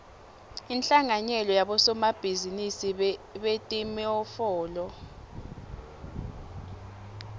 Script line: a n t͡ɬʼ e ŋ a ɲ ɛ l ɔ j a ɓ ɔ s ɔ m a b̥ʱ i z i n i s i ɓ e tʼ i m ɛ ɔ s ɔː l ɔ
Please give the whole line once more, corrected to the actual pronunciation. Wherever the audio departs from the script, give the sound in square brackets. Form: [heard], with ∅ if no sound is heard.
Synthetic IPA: [i] n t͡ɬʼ [a] ŋ a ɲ ɛ l ɔ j a ɓ ɔ s ɔ m a b̥ʱ i z i n i s i ɓ e tʼ i m ɛ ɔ [f] ɔː l ɔ

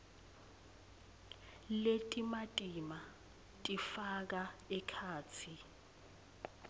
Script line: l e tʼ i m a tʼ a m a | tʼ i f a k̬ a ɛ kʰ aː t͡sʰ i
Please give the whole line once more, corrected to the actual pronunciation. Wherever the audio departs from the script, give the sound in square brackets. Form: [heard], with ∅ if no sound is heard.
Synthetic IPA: l e tʼ i m a tʼ [i] m a | tʼ i f a k̬ a ɛ kʰ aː t͡sʰ i

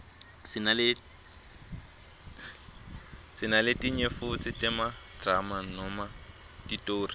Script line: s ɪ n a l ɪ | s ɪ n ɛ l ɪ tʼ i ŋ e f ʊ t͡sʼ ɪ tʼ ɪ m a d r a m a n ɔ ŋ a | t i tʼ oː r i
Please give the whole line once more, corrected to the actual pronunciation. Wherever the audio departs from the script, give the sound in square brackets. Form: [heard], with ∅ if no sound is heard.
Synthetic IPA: s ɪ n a l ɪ | s ɪ n [a] l ɪ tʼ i [ɲ] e f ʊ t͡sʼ ɪ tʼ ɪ m a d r a m a n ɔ [m] a | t i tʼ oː r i

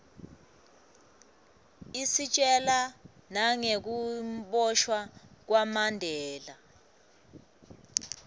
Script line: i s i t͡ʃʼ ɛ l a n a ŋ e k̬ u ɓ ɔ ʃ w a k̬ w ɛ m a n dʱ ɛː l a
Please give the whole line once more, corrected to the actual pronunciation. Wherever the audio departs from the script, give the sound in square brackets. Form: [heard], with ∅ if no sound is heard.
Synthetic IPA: i s i t͡ʃʼ ɛ l a n a ŋ e k̬ u ɓ ɔ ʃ w a k̬ w [a] m a n dʱ ɛː l a

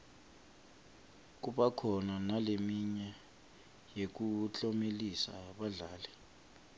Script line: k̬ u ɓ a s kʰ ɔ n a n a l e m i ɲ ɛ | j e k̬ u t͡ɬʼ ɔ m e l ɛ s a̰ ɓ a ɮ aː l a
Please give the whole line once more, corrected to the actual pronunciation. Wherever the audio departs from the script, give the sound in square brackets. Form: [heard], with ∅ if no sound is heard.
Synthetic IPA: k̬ u ɓ a [∅] kʰ ɔ n a n a l e m i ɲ ɛ | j e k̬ u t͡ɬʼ ɔ m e l [i] s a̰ ɓ a ɮ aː l [ɛ]

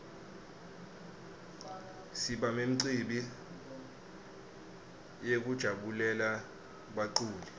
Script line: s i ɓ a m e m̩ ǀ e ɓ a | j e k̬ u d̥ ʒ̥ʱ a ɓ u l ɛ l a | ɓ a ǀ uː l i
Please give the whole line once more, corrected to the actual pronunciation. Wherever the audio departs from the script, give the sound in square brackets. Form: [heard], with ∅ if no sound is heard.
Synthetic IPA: s i ɓ a m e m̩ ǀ [i] ɓ [i] | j e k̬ u d̥ ʒ̥ʱ a ɓ u l ɛ l a | ɓ a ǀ uː l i

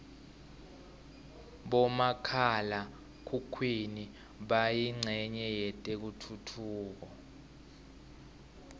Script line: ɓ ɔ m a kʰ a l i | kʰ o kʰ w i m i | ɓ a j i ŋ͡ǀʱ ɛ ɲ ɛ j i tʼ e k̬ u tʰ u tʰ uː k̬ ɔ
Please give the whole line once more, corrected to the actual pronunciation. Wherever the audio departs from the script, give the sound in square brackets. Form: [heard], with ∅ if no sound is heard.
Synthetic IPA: ɓ ɔ m a kʰ a l [a] | kʰ [u] kʰ w i [n] i | ɓ a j i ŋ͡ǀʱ ɛ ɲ ɛ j [ɛ] tʼ e k̬ u tʰ u tʰ uː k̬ ɔ

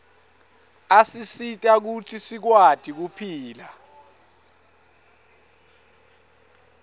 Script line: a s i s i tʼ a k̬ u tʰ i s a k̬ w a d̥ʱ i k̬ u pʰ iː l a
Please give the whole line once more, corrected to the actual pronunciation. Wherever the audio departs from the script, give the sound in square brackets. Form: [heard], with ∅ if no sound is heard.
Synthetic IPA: a s i s i tʼ a k̬ u tʰ i s [i] k̬ w a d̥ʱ i k̬ u pʰ iː l a

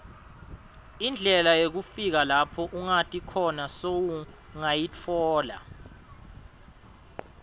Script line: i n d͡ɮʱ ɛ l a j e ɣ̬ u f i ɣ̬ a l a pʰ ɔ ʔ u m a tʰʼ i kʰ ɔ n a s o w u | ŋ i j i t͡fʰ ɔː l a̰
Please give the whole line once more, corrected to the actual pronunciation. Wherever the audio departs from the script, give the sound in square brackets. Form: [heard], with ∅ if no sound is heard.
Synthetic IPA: i n d͡ɮʱ ɛ l a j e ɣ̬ u f i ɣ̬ a l a pʰ ɔ ʔ u [ŋ] a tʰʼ i kʰ ɔ n a s o w u | ŋ [a] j i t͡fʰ ɔː l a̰

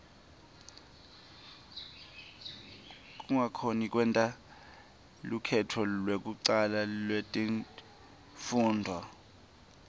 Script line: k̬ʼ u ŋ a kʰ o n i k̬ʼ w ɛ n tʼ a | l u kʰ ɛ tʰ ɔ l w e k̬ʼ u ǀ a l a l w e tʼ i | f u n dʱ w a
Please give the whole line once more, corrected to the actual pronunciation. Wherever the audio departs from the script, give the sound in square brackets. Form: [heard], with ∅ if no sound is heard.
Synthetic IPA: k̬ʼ u ŋ a kʰ o n i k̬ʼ w ɛ n tʼ a | l u kʰ ɛ tʰ ɔ l w e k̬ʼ u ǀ a l a l w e tʼ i | f [uː] n dʱ w a

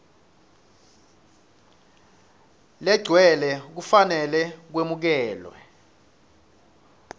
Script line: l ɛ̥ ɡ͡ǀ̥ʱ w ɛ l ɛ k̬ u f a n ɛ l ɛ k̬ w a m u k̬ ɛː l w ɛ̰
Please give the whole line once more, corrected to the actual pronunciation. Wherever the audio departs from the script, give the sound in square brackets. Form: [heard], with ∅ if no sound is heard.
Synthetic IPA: l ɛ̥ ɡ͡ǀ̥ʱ w ɛ l ɛ k̬ u f a n ɛ l ɛ k̬ w [e] m u k̬ ɛː l w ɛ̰

